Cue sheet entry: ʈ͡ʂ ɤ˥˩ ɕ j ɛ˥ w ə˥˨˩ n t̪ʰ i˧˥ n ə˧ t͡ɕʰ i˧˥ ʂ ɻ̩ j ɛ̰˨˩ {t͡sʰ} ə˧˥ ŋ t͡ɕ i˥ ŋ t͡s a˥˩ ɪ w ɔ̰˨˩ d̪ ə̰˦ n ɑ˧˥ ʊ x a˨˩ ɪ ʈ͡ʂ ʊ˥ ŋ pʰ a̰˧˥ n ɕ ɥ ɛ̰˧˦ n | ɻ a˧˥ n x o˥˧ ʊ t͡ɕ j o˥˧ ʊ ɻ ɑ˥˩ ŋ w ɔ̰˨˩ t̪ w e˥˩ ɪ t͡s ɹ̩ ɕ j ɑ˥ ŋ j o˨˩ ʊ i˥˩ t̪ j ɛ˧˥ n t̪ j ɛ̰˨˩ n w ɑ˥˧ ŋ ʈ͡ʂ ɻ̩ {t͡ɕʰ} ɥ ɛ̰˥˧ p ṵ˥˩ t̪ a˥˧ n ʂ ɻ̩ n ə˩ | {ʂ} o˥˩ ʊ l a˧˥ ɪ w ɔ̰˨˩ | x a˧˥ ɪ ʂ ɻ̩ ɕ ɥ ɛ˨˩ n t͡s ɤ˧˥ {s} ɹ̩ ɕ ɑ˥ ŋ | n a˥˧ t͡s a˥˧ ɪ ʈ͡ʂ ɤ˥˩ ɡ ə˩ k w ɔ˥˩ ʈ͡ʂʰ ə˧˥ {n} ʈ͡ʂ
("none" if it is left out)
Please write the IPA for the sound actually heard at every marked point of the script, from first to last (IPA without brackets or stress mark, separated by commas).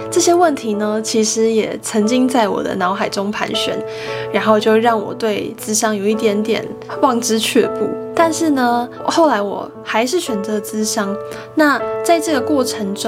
t͡sʰ, t͡ɕʰ, x, t͡s, ŋ